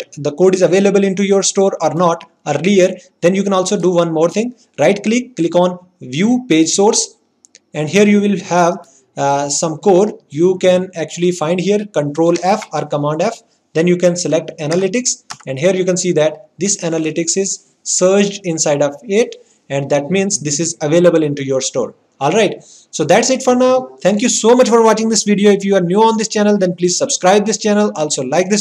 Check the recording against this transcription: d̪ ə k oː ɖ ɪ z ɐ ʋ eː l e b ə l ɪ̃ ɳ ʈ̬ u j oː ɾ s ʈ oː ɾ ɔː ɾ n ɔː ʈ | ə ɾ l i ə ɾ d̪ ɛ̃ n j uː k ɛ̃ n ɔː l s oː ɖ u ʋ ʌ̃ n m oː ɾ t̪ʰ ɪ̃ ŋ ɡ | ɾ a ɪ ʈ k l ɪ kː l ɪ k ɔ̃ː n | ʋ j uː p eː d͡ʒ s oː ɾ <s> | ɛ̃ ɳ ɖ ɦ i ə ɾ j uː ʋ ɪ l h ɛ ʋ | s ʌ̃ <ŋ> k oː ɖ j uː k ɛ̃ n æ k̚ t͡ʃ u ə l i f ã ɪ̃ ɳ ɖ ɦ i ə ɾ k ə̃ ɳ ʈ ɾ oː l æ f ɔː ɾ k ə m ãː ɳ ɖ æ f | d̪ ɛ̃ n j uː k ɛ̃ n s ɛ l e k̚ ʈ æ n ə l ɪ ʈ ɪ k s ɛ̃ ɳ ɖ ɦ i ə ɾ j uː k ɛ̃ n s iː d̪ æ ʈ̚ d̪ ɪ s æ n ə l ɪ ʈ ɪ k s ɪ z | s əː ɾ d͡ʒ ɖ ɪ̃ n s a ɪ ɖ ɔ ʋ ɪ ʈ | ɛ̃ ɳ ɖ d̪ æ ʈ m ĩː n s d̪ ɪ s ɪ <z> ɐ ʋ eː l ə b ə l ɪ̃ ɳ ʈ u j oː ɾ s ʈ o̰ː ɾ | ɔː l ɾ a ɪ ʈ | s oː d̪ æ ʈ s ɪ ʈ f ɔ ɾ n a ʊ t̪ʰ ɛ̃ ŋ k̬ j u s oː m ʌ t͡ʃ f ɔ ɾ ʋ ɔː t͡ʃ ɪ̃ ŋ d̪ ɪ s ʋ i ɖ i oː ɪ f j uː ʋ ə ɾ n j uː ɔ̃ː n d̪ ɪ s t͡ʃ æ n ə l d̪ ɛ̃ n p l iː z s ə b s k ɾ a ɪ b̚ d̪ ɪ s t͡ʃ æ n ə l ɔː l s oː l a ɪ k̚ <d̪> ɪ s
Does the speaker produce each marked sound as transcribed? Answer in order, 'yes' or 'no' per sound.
yes, no, yes, yes

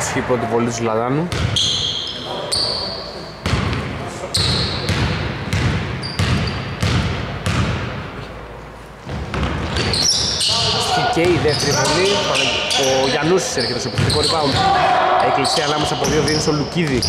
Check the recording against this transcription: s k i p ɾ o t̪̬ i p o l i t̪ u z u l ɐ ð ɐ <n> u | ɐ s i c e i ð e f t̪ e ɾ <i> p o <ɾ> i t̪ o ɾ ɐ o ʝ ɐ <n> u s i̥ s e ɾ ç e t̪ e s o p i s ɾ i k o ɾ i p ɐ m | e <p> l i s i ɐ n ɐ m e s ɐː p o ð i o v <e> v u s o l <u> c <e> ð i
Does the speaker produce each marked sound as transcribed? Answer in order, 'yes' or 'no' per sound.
yes, yes, no, yes, no, no, yes, no

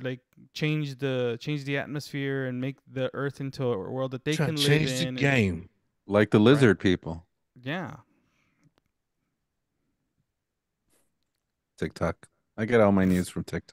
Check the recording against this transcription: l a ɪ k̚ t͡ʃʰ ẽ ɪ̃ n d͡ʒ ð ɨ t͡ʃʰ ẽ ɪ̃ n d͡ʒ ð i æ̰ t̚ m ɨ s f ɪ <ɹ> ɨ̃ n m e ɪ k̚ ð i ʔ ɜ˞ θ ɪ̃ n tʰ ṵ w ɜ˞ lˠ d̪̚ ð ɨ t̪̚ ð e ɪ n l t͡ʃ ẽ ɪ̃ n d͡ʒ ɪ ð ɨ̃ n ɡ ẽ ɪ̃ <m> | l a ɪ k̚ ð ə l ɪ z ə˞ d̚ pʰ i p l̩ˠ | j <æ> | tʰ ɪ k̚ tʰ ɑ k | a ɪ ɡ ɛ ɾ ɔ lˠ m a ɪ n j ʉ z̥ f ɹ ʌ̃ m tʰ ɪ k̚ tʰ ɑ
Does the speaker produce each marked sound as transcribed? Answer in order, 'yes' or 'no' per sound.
yes, yes, yes

